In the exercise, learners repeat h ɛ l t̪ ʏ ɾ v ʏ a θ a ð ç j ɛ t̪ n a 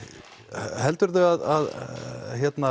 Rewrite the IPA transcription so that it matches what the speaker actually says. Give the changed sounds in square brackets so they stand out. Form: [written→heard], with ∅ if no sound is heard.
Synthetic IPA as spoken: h ɛ l t̪ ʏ ɾ [v→ð] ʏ a [θ→ð] a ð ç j ɛ t̪ n a